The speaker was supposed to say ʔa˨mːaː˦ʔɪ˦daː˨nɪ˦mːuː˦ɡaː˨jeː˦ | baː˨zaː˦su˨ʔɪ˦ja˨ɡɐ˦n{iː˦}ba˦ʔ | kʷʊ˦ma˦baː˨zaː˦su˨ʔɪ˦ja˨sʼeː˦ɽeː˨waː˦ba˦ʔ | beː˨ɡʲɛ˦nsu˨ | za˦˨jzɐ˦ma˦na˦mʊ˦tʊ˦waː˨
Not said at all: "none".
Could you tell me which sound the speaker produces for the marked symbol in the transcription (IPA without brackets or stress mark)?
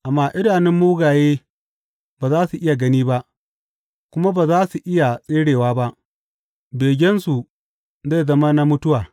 iː˦